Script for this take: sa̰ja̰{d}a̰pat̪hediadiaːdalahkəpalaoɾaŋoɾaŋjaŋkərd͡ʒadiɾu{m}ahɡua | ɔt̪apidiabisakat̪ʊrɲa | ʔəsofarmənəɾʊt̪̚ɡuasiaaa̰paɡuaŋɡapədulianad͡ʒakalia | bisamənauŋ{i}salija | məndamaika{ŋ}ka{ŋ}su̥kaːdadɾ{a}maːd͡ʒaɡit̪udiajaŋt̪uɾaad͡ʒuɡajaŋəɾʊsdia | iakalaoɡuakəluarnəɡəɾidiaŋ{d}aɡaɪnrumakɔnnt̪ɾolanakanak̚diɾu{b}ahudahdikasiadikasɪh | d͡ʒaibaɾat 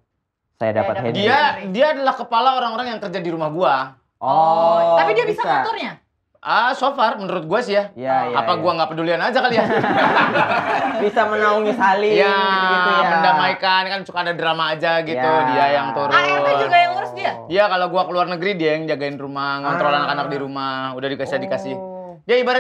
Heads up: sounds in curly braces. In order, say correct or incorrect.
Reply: correct, correct, correct, incorrect: n, incorrect: n, correct, incorrect: d͡ʒ, incorrect: m

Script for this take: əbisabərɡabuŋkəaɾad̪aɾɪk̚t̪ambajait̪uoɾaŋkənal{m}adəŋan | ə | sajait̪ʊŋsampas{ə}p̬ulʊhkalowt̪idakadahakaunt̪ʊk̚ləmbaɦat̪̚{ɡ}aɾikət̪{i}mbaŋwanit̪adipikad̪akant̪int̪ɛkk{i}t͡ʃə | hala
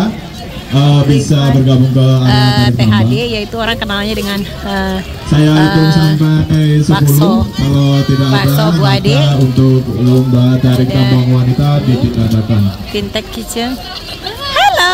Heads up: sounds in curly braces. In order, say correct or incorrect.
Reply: incorrect: ɲ, correct, incorrect: d, incorrect: a, correct

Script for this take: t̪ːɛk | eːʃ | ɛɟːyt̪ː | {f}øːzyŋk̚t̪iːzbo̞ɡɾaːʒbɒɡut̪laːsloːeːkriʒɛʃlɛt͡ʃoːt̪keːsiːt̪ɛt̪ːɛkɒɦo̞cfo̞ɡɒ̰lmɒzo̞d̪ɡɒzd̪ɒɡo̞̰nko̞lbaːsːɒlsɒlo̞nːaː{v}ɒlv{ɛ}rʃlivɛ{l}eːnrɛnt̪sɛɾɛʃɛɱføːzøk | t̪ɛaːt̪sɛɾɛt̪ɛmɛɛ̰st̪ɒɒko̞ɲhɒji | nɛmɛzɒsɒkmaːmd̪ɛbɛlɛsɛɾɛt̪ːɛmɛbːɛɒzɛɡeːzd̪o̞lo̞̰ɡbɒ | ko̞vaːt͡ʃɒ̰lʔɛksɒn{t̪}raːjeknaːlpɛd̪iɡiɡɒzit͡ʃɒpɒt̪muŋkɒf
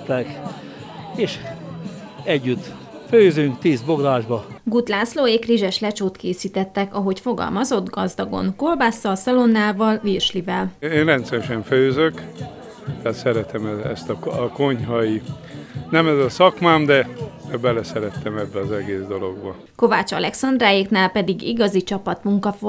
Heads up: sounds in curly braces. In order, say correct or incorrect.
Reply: correct, correct, incorrect: i, correct, incorrect: d̪

